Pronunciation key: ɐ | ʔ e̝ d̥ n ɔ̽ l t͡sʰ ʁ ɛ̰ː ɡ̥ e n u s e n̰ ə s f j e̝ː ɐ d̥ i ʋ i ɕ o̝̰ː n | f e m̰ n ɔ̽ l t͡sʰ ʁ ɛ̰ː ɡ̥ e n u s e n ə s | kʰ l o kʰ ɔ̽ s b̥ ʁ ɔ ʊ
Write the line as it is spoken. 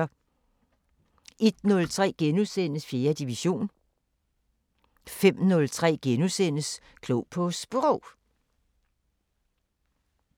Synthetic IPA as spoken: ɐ | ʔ e̝ d̥ n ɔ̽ l t͡sʰ ʁ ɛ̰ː ɡ̥ e n u s e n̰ ə s f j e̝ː ɐ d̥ i ʋ i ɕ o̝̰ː n | f e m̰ n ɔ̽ l t͡sʰ ʁ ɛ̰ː ɡ̥ e n u s e n ə s | kʰ l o pʰ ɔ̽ s b̥ ʁ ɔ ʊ